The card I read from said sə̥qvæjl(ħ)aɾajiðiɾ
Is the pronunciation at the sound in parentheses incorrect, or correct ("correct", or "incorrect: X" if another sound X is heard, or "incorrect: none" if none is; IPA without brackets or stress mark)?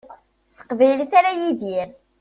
incorrect: θ